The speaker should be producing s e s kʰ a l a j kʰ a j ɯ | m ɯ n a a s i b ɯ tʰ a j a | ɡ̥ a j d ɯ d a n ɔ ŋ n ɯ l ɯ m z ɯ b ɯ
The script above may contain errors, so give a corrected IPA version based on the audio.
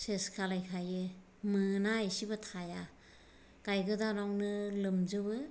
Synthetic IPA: s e s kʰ a l a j kʰ a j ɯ | m ɯ n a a s i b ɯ tʰ a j a | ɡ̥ a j ɡ ɯ d a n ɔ ŋ n ɯ l ɯ m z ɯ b ɯ